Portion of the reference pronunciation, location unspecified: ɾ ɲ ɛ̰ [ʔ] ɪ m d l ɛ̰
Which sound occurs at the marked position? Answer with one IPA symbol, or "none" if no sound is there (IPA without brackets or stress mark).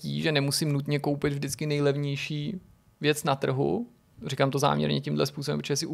c